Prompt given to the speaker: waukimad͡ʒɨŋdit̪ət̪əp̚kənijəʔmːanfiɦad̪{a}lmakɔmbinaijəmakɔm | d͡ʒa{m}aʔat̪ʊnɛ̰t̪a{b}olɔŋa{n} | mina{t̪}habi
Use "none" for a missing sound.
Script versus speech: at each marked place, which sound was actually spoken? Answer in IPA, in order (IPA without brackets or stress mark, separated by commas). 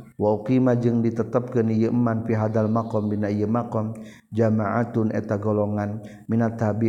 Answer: a, m, ɡ, n, t̪